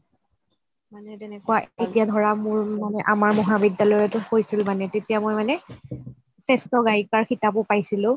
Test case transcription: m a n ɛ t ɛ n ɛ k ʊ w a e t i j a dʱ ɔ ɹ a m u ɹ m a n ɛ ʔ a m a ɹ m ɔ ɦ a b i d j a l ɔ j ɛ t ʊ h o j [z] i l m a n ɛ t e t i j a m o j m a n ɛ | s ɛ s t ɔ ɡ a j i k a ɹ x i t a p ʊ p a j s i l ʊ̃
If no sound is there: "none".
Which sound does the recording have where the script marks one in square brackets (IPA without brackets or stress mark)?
s